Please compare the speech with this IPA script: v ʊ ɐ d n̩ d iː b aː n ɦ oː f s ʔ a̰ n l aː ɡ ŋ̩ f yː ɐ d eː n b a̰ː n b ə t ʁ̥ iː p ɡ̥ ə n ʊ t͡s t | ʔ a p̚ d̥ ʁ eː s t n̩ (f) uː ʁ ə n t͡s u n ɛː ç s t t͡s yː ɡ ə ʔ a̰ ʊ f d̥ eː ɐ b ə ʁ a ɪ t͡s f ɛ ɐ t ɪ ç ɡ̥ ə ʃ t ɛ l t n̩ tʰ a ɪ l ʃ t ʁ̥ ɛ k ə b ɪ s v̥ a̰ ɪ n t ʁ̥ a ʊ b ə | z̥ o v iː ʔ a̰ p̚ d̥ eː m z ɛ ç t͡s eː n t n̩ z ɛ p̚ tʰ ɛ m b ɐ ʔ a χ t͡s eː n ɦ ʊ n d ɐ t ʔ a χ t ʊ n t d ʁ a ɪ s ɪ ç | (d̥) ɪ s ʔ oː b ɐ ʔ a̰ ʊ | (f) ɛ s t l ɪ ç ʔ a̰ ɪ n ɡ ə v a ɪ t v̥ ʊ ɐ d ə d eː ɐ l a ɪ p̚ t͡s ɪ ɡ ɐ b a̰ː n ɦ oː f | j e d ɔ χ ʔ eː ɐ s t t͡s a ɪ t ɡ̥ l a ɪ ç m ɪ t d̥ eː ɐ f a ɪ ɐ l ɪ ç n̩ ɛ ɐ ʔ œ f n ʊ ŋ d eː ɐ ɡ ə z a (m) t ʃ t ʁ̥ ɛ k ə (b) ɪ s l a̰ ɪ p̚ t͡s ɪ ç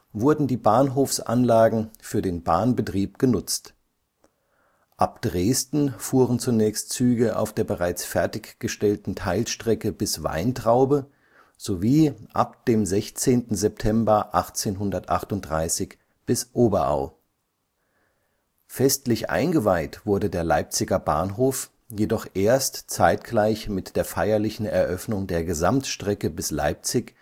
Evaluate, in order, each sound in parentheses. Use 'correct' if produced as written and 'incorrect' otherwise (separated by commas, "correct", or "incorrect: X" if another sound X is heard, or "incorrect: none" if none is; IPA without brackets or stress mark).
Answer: correct, incorrect: b̥, correct, correct, correct